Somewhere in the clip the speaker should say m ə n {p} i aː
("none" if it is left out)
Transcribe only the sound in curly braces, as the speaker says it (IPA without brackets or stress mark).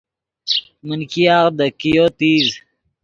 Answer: k